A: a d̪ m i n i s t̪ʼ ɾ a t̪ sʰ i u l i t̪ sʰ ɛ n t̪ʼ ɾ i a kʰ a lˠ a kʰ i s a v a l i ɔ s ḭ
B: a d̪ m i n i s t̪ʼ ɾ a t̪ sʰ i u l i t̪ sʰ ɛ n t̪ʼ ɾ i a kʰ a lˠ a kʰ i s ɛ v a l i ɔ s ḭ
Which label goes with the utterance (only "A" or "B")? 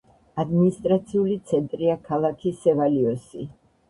B